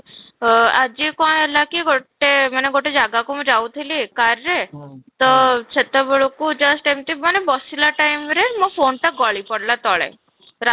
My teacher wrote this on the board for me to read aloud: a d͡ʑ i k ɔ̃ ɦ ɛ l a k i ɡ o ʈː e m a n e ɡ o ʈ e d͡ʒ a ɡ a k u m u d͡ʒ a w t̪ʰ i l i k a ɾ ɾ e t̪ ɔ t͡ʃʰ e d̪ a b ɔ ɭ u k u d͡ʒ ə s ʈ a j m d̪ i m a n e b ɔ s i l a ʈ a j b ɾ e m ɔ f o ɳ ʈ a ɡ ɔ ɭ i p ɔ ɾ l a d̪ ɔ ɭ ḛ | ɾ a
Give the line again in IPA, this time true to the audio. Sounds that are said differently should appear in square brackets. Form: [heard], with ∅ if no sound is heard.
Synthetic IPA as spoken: a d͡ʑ i k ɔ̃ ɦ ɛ l a k i ɡ o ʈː e m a n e ɡ o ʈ e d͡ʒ a ɡ a k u m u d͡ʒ a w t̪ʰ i l i k a ɾ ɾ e t̪ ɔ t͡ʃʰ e [t̪] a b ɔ ɭ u k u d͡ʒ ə s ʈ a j m [t̪] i m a n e b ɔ s i l a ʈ a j [m] ɾ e m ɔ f o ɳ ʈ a ɡ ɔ ɭ i p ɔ [ɽ] l a [t̪] ɔ ɭ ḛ | ɾ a